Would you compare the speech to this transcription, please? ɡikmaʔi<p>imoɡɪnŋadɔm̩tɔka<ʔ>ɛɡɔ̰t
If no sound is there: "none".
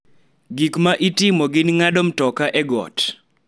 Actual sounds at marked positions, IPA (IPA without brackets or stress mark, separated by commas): t, ʔ